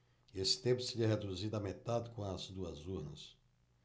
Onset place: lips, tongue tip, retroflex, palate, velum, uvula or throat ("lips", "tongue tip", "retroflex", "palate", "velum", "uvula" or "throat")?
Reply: tongue tip